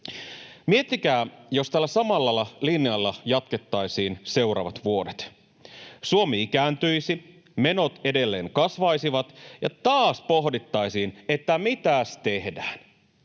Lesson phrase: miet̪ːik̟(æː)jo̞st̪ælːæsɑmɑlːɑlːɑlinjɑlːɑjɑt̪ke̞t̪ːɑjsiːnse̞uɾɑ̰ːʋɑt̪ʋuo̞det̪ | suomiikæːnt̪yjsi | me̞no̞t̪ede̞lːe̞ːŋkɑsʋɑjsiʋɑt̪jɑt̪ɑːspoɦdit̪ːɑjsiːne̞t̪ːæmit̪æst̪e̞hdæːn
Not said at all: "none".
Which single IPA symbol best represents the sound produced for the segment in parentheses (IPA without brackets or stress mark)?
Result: æː